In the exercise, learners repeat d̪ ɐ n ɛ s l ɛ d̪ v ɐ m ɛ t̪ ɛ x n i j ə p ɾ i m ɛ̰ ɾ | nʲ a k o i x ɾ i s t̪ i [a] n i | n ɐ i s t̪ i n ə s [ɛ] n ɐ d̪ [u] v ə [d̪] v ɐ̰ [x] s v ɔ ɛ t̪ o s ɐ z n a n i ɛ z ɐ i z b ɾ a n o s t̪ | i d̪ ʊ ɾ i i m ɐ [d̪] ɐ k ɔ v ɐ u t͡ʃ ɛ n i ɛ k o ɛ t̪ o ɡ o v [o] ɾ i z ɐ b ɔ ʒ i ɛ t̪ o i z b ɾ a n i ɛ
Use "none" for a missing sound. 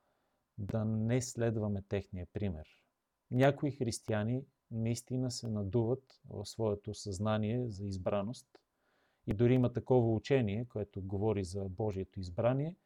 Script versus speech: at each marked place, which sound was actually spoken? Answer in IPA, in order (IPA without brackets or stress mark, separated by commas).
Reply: a, ɛ, u, t̪, f, t̪, ɔ